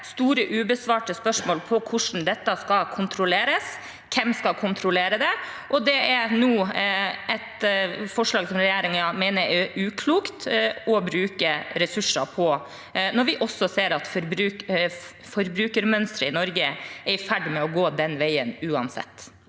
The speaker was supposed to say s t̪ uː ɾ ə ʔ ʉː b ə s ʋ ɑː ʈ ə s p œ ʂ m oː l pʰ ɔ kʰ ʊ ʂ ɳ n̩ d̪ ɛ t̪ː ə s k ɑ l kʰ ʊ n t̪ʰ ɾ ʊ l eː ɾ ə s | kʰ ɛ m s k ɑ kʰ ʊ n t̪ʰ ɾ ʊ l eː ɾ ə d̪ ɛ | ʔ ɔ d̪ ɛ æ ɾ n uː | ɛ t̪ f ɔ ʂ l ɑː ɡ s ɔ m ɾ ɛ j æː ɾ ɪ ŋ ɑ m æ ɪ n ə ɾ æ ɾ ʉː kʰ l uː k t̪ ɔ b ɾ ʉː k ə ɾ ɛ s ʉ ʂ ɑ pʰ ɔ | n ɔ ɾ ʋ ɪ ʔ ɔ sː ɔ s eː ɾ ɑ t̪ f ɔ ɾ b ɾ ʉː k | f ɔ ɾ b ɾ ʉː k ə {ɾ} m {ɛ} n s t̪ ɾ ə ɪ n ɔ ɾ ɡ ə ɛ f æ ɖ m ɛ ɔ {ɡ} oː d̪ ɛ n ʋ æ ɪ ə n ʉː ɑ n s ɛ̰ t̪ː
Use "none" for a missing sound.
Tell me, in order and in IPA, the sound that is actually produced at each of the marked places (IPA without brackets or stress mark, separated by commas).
ɾ, œ, ɡ